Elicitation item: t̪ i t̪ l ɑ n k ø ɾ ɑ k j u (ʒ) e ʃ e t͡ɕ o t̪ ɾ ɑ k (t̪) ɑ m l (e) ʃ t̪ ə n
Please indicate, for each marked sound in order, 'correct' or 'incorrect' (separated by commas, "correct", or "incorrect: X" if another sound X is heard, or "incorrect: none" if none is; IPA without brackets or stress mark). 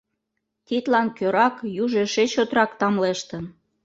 correct, correct, correct